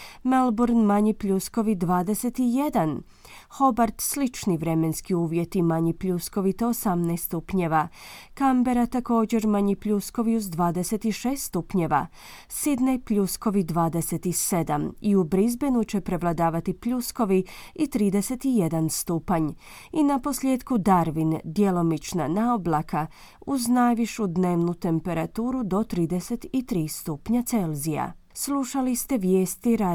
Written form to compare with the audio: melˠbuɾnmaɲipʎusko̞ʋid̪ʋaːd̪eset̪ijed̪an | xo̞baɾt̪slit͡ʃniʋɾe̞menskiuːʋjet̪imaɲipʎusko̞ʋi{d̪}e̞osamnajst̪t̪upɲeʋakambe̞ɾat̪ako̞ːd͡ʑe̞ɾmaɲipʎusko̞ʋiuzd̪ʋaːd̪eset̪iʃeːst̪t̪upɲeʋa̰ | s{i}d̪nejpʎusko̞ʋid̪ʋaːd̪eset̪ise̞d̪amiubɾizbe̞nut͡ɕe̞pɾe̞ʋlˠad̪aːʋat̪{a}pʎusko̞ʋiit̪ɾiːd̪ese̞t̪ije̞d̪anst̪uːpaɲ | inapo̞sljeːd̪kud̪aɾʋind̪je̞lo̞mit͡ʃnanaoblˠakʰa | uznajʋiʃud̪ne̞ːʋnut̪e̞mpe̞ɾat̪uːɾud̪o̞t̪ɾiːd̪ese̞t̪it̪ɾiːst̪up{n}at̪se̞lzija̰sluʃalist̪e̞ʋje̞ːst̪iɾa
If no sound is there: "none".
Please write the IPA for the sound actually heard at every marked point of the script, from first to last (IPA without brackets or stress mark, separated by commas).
t̪, i, i, ɲ